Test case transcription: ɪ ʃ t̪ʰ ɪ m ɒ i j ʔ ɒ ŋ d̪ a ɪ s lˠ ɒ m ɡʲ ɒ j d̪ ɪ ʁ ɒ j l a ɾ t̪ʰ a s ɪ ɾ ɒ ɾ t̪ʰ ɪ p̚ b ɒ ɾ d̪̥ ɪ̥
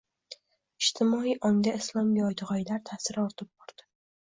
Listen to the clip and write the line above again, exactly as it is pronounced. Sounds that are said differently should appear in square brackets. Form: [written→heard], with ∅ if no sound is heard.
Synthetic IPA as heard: ɪ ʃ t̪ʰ ɪ m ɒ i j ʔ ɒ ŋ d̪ a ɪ s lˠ ɒ m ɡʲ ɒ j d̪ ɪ ʁ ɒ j l a ɾ t̪ʰ a s ɪ ɾ ɒ ɾ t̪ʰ ɪ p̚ b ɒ ɾ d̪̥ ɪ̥